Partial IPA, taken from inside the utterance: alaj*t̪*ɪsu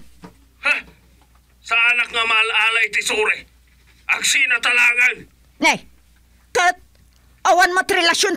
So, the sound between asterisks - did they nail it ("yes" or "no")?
yes